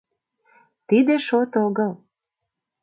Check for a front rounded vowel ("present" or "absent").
absent